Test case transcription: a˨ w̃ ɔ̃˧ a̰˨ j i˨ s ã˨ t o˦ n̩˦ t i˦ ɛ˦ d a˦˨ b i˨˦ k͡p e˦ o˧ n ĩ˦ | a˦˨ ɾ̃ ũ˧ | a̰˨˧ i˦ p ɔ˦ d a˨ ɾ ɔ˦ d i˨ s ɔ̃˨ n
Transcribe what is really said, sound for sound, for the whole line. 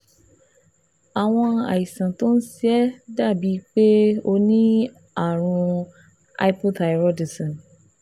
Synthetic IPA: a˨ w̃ ɔ̃˧ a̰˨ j i˨ s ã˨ t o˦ n̩˦ s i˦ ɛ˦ d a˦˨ b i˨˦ k͡p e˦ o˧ n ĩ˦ | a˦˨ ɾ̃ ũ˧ | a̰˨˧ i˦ p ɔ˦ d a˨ ɾ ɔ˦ d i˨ s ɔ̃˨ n